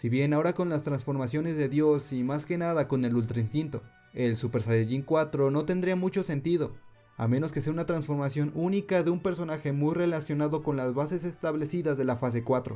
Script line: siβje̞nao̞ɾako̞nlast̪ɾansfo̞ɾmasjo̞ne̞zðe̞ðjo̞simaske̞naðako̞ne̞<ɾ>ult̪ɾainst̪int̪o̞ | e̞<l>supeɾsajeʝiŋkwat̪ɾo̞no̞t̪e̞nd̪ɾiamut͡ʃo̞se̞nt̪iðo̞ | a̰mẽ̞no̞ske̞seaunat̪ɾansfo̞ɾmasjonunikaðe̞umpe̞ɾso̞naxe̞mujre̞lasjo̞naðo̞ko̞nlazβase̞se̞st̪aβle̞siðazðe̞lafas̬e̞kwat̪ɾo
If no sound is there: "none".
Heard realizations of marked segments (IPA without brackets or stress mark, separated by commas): l, l